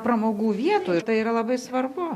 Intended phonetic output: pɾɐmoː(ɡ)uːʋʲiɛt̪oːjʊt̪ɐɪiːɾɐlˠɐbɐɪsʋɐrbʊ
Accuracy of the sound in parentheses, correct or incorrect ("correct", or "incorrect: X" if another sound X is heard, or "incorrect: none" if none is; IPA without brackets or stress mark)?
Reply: correct